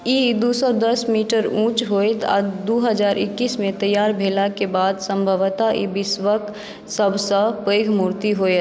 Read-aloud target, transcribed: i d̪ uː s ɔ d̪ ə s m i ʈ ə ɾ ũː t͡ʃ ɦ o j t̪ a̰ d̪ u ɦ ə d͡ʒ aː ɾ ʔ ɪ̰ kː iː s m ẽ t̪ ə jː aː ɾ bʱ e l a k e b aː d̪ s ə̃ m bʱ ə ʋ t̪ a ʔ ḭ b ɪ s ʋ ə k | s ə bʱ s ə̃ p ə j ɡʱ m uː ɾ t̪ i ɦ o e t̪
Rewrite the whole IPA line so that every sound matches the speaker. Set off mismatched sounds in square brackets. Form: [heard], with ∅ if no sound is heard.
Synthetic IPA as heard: i d̪ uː s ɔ d̪ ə s m i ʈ ə ɾ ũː t͡ʃ ɦ o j t̪ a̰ d̪ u ɦ ə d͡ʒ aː ɾ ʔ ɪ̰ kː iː s m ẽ t̪ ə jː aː ɾ bʱ e l a k e b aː d̪ s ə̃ m bʱ ə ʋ t̪ a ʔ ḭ b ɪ s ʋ ə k | s ə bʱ s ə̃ p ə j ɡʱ m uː ɾ t̪ i ɦ o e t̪